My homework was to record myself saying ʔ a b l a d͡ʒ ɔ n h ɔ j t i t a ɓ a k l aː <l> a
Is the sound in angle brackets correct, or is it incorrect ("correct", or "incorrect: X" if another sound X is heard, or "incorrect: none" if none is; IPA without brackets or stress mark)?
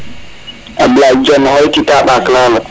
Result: correct